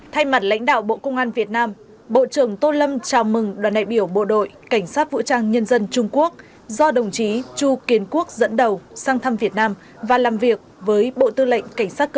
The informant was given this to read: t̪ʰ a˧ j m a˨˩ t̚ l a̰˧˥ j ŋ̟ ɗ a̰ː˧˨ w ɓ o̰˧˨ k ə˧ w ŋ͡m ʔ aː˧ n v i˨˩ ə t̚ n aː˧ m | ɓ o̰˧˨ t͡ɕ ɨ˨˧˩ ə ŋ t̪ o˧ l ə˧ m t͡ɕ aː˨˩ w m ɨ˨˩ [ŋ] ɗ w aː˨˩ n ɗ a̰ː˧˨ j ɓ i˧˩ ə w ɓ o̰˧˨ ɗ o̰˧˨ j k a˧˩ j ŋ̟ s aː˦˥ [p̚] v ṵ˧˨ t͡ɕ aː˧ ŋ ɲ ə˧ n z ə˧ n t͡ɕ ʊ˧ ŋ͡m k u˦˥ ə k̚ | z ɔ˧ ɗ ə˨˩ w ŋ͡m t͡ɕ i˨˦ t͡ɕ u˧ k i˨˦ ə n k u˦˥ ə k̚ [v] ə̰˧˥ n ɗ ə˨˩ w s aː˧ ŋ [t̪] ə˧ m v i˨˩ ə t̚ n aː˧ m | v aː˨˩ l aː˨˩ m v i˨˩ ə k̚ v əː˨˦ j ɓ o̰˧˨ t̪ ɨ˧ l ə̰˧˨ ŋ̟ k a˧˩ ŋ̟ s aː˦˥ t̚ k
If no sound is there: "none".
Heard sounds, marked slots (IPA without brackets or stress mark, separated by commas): ŋ, t̚, z, t̪ʰ